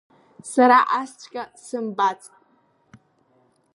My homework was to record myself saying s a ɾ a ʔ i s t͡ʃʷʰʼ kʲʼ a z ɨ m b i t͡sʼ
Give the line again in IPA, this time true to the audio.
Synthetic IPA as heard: s a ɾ a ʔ a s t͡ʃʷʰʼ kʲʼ a s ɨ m b a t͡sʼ